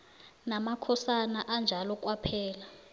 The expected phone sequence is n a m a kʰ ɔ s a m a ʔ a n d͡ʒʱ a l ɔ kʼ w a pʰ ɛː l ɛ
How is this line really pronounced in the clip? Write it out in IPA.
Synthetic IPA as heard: n a m a kʰ ɔ s a n a ʔ a n d͡ʒʱ a l ɔ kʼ w a pʰ ɛː l a